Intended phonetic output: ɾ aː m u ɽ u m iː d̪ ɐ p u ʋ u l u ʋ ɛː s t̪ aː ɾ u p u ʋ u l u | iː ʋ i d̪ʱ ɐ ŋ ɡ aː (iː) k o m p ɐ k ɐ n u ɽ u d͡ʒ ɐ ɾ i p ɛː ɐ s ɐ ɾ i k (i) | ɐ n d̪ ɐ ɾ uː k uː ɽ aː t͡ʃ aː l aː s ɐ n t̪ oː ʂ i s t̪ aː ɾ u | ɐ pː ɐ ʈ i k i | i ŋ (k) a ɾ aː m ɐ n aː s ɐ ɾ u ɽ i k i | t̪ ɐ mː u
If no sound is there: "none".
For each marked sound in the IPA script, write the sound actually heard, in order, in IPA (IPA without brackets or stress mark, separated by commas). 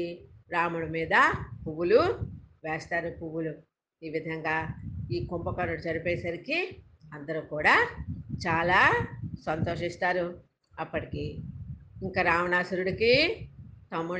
iː, i, k